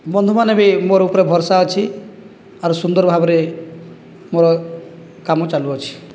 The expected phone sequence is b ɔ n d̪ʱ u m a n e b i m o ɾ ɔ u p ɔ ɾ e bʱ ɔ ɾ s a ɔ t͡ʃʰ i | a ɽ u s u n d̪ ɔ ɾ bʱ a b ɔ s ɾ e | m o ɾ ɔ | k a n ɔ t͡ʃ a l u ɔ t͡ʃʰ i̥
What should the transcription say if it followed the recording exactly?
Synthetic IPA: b ɔ n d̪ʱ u m a n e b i m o ɾ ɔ u p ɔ ɾ e bʱ ɔ ɾ s a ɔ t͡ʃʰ i | a ɾ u s u n d̪ ɔ ɾ bʱ a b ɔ ɾ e | m o ɾ ɔ | k a m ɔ t͡ʃ a l u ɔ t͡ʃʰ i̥